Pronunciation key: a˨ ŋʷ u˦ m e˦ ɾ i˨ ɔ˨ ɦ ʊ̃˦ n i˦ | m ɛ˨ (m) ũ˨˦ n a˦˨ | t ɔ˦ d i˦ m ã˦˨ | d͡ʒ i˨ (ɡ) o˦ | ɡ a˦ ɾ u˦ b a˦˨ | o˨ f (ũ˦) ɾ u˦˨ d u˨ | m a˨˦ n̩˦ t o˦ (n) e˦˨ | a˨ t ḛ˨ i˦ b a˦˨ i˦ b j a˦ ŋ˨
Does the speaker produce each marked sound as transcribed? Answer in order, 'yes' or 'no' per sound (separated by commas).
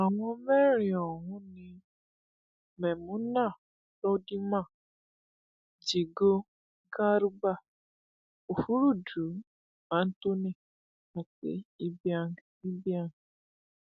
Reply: yes, yes, no, yes